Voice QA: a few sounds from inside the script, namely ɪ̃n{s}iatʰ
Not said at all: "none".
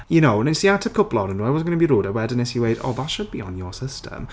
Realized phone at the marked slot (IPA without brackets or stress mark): s